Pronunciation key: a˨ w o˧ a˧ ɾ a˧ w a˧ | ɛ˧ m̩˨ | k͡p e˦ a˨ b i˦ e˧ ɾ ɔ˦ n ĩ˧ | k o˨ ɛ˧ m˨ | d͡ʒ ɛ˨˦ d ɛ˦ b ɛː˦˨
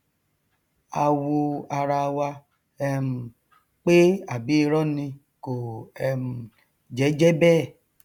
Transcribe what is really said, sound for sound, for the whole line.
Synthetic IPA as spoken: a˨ w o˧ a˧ ɾ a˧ w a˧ | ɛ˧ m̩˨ | k͡p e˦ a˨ b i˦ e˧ ɾ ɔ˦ n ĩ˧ | k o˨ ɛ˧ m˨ | d͡ʒ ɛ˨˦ d͡ʒ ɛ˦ b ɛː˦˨